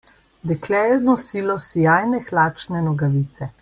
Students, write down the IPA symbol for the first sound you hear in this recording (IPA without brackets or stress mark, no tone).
d̪